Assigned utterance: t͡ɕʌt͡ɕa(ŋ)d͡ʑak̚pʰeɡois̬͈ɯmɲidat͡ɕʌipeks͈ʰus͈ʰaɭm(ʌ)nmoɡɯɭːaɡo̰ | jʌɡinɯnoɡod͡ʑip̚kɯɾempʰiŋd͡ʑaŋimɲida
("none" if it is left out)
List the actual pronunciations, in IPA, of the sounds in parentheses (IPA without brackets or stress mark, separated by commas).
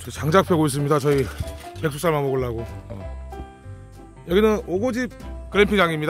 ŋ, a